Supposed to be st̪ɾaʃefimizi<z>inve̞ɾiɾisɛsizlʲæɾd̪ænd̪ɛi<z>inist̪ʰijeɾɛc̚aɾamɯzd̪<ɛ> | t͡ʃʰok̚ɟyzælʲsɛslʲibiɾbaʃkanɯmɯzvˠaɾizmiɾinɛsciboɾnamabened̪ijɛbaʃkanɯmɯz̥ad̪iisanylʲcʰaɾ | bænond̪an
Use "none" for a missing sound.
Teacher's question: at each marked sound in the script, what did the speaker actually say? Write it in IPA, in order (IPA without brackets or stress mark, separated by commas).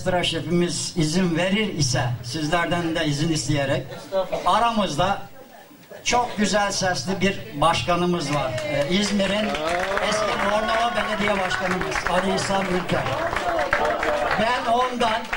z, z, a